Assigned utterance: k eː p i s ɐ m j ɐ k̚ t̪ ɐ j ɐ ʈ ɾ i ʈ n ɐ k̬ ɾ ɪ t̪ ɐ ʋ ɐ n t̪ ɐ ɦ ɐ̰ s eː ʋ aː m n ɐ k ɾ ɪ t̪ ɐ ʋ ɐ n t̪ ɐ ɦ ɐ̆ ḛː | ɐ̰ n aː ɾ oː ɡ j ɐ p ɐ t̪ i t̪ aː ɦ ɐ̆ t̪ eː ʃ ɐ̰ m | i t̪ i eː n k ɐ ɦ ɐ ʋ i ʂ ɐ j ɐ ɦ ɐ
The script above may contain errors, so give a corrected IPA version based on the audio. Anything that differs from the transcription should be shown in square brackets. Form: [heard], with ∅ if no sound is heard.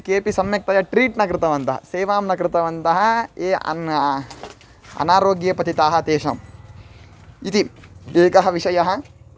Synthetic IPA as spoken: k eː p i s ɐ m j ɐ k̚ t̪ ɐ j ɐ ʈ ɾ [iː] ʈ n ɐ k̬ ɾ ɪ t̪ ɐ ʋ ɐ n t̪ ɐ ɦ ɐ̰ s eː ʋ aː m n ɐ k ɾ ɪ t̪ ɐ ʋ ɐ n t̪ ɐ ɦ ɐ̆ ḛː | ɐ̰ n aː ɾ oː ɡ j ɐ p ɐ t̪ i t̪ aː ɦ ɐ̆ t̪ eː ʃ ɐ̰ m | i t̪ i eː [∅] k ɐ ɦ ɐ ʋ i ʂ ɐ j ɐ ɦ ɐ